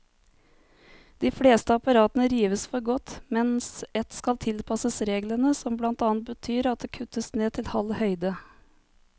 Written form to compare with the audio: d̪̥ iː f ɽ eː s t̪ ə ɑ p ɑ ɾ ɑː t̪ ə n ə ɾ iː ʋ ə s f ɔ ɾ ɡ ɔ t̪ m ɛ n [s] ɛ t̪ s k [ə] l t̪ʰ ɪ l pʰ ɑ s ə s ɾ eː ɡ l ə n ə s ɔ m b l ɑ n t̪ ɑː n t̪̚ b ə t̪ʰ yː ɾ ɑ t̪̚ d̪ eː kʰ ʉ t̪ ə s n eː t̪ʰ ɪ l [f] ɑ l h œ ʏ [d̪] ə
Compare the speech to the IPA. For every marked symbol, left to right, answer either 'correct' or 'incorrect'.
correct, incorrect, incorrect, correct

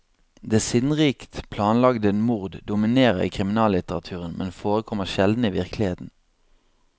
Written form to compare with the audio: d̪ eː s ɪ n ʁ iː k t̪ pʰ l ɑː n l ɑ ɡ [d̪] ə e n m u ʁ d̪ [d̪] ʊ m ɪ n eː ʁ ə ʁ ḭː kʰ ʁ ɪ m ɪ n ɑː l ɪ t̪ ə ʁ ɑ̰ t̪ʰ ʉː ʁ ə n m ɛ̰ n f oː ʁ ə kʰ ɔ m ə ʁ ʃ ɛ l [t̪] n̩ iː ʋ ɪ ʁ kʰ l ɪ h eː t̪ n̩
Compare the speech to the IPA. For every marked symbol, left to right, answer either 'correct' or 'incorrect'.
correct, correct, incorrect

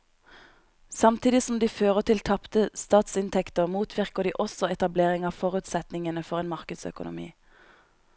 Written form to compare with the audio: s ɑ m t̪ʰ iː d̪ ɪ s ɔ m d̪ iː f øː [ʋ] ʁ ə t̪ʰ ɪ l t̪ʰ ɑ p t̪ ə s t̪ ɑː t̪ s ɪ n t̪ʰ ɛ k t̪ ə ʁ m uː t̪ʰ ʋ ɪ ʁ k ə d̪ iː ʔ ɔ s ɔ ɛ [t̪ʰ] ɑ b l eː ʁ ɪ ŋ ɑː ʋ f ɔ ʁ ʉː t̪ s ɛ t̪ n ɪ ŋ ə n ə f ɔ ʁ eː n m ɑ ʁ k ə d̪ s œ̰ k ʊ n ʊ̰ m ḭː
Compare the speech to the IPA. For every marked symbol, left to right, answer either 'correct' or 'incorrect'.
incorrect, incorrect

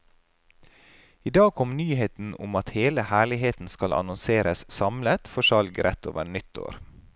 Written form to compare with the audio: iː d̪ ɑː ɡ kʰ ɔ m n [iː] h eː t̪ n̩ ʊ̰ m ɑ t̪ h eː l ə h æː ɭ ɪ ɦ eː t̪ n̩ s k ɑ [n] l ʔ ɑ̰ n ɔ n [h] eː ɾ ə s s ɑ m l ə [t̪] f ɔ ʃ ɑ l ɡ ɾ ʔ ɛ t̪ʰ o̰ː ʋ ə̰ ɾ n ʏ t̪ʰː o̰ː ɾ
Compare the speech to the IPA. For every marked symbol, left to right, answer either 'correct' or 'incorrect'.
incorrect, incorrect, incorrect, correct

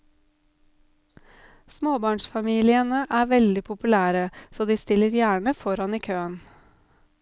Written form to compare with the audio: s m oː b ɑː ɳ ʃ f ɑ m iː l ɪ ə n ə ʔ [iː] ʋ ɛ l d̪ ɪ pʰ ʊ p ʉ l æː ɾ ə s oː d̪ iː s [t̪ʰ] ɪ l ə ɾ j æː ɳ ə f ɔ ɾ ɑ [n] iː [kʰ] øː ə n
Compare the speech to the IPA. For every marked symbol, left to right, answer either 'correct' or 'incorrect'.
incorrect, incorrect, correct, correct

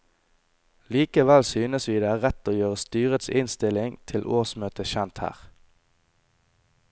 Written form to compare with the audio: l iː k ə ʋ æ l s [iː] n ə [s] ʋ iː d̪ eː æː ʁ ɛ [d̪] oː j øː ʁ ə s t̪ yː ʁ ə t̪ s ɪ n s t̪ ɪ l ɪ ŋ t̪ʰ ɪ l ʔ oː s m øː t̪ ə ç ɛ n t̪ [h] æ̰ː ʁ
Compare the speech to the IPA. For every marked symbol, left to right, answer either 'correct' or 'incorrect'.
incorrect, correct, incorrect, correct

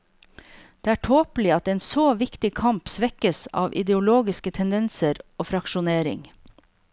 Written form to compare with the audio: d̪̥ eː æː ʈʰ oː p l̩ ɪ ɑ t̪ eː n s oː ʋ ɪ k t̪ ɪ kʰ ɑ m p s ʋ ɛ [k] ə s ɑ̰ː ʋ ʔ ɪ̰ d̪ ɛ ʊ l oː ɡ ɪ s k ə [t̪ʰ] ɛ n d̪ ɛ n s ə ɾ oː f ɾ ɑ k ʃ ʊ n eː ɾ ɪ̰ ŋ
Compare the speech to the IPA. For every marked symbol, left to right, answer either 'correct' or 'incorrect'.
correct, correct

